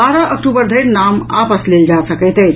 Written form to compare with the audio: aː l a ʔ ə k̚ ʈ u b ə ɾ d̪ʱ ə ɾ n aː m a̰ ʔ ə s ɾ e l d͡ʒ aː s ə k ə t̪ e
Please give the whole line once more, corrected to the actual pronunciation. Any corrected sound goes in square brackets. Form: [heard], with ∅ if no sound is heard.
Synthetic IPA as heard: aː [ɾ] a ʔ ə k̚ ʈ u b ə ɾ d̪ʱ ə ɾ n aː m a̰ [p] ə s [l] e l d͡ʒ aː s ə k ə t̪ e